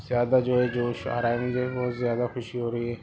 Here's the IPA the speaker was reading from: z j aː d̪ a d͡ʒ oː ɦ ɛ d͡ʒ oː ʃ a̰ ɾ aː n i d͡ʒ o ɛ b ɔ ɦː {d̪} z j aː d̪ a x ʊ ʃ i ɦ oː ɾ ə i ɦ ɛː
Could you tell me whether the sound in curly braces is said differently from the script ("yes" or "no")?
yes